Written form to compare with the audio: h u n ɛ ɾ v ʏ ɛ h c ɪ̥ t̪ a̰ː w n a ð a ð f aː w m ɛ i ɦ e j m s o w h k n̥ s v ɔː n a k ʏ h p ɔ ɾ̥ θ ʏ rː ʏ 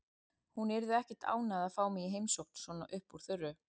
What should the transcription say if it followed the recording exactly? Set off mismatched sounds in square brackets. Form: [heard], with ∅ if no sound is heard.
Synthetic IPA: h u n ɛ ɾ [ð] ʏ ɛ h c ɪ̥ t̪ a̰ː w n a ð a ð f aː w m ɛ i ɦ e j m s o w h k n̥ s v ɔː n a [ʔ] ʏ h p [u] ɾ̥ θ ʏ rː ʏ